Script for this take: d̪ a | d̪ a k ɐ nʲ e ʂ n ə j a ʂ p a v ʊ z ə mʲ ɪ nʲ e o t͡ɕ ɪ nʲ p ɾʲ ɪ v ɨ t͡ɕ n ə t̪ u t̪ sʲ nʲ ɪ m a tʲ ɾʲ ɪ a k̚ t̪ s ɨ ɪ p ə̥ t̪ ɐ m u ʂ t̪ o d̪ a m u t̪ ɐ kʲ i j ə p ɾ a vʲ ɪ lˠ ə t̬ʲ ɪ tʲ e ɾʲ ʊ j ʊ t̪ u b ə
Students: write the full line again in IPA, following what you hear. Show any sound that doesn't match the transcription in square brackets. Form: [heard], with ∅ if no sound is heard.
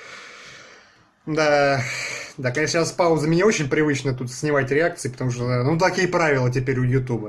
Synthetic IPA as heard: d̪ a | d̪ a k ɐ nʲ e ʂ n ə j a [s] p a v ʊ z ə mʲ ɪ nʲ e o t͡ɕ ɪ nʲ p ɾʲ ɪ v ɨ t͡ɕ n ə t̪ u t̪ sʲ nʲ ɪ m a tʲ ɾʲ ɪ a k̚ t̪ s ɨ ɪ p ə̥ t̪ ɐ m u ʂ t̪ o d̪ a [n] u t̪ ɐ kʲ i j ə p ɾ a vʲ ɪ lˠ ə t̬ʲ ɪ [pʲ] e ɾʲ ʊ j ʊ t̪ u b ə